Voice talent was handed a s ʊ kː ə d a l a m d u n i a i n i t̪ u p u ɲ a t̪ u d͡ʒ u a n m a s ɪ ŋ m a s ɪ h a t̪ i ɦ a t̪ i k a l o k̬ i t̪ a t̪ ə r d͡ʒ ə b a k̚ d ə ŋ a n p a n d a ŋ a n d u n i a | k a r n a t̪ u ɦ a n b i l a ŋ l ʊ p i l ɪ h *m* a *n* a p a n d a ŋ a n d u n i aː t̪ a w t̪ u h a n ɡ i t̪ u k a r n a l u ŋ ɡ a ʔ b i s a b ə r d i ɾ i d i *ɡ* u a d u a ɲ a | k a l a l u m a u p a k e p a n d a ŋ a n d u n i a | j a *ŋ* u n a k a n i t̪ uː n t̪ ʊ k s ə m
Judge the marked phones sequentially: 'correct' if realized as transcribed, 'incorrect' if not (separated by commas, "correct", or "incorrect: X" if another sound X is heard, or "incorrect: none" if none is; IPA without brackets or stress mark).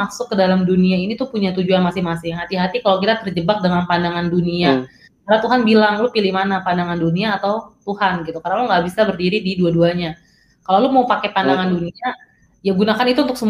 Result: correct, correct, incorrect: d, incorrect: ɡ